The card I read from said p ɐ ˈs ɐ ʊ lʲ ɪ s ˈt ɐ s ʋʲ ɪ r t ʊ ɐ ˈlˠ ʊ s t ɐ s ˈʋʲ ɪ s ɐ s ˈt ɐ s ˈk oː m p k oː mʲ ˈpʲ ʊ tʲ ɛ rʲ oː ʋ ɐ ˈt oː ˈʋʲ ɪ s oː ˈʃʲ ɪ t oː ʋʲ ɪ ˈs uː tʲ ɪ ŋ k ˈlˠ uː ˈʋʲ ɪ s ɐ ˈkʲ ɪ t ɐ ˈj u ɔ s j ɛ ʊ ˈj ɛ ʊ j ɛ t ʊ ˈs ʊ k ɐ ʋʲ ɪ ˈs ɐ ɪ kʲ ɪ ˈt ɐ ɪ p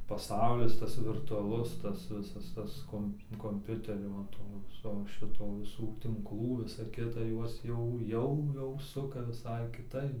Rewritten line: p ɐ ˈs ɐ ʊ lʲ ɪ s ˈt ɐ s ʋʲ ɪ r t ʊ ɐ ˈlˠ ʊ s t ɐ s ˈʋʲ ɪ s ɐ s ˈt ɐ s ˈk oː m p k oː mʲ ˈpʲ ʊ tʲ ɛ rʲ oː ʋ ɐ ˈt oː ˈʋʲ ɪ s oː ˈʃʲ ɪ t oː ʋʲ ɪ ˈs uː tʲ ɪ ŋ k ˈlˠ uː ˈʋʲ ɪ s ɐ ˈkʲ ɪ t ɐ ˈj u ɔ s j ɛ ʊ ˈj ɛ ʊ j ɛ ʊ ˈs ʊ k ɐ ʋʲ ɪ ˈs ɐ ɪ kʲ ɪ ˈt ɐ ɪ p